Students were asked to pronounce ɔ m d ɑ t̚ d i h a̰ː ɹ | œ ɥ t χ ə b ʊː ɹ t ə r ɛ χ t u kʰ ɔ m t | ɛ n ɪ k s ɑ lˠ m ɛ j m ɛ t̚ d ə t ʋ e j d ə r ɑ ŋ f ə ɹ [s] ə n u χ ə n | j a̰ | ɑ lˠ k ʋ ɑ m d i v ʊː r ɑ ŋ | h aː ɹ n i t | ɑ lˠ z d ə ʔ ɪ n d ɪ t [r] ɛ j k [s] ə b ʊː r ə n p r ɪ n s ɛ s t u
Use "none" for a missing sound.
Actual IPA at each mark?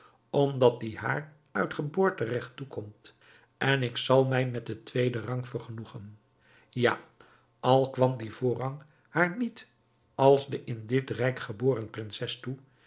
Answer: χ, r, χ

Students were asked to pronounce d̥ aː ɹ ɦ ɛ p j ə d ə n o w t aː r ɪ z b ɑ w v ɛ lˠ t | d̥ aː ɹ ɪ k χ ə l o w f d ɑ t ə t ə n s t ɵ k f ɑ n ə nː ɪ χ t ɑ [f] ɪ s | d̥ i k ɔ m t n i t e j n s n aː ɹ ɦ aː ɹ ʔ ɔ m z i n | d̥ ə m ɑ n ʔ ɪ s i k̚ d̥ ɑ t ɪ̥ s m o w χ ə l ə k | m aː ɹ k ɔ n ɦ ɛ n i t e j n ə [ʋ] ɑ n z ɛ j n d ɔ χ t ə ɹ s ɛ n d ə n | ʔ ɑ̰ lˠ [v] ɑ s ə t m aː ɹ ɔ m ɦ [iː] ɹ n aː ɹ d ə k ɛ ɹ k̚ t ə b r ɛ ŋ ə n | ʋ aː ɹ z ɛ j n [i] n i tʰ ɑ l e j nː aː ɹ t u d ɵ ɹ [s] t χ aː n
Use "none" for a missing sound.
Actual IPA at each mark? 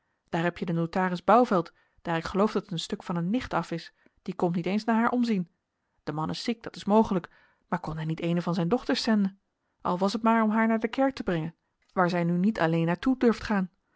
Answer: f, v, ʋ, aː, y, f

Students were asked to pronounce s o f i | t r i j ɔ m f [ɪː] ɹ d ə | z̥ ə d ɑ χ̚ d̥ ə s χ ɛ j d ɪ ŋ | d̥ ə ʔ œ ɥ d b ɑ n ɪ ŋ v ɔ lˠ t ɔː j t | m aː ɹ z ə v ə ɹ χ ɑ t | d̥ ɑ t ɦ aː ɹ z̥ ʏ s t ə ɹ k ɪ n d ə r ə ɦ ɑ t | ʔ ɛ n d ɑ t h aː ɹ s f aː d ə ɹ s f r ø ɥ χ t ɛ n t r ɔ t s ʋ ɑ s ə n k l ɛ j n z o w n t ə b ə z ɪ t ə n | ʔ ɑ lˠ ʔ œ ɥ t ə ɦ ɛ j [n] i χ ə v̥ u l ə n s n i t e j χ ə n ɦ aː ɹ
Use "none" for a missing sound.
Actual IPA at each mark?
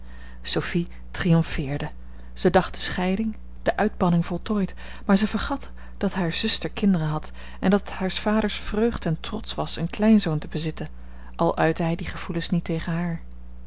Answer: ɪː, d

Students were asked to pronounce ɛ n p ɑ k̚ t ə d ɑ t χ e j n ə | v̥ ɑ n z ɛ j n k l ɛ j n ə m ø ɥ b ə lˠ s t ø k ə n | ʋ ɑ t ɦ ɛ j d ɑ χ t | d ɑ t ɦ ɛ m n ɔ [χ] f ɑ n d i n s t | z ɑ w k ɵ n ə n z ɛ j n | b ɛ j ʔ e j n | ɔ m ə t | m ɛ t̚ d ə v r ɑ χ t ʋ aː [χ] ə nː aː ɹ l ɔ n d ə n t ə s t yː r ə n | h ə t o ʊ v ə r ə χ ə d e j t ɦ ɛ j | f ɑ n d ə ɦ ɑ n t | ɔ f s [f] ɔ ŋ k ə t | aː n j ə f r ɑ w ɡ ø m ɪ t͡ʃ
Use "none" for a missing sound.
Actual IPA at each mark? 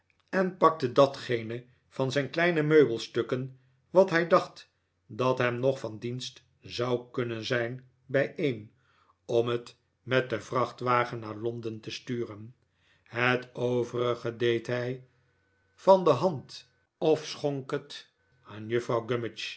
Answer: χ, χ, χ

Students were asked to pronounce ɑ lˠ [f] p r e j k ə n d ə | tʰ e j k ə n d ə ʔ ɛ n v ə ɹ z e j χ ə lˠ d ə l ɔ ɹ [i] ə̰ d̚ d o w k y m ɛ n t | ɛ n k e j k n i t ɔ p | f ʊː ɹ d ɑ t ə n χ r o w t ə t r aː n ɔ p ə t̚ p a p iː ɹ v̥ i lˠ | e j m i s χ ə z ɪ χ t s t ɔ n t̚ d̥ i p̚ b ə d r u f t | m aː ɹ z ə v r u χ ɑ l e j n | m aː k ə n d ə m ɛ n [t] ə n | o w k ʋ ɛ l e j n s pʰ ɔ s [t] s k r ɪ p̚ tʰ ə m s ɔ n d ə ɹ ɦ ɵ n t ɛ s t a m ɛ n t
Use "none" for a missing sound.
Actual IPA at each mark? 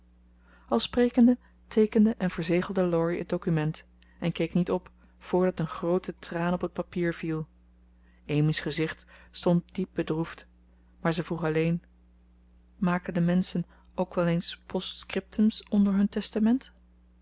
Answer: s, i, s, t

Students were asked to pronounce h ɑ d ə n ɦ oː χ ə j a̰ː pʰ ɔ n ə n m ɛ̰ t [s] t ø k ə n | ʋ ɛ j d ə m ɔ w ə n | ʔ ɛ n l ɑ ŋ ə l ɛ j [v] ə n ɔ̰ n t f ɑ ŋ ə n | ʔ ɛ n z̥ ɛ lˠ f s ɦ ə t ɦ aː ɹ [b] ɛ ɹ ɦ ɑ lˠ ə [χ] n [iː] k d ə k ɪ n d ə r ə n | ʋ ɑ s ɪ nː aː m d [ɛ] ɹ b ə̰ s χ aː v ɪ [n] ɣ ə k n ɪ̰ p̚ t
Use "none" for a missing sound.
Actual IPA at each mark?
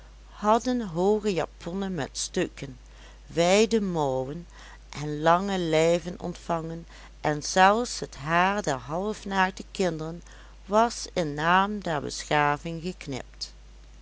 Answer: s, v, d, f, aː, ɛ, ŋ

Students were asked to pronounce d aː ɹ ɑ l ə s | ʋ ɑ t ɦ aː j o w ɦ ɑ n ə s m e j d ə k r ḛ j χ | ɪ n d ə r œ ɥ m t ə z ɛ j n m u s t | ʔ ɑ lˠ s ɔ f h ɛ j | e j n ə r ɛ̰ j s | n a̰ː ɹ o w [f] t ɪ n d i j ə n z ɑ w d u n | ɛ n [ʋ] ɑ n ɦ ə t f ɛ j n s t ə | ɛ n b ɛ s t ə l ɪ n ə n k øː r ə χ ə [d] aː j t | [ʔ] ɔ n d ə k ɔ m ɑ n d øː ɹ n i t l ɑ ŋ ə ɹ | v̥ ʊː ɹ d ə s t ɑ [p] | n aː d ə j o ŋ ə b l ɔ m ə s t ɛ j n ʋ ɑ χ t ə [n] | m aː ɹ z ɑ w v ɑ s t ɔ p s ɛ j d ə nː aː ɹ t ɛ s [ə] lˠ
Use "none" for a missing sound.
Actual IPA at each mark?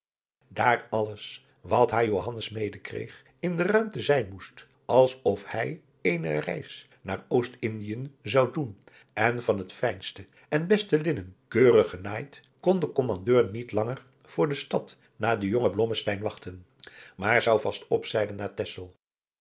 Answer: s, v, n, k, t, n, ə

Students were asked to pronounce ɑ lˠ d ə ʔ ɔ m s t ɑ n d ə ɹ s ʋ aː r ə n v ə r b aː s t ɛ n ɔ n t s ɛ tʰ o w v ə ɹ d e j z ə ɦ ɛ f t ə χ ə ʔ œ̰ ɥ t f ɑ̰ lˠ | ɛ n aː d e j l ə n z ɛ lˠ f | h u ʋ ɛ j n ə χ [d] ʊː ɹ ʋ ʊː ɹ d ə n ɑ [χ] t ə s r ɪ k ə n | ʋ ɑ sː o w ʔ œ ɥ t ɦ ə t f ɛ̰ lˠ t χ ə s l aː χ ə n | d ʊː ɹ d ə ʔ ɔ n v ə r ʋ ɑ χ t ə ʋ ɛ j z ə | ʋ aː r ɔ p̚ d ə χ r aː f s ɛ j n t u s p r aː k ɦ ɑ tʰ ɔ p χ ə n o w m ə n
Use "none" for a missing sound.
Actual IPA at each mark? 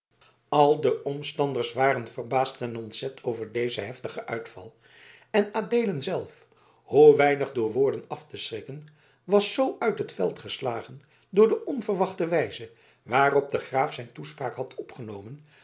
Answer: d, f

